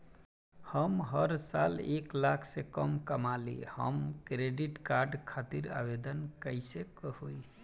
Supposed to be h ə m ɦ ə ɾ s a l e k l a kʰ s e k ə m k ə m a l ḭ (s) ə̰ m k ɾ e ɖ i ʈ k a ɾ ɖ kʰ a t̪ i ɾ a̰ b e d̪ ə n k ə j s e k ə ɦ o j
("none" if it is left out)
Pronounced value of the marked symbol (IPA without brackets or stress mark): h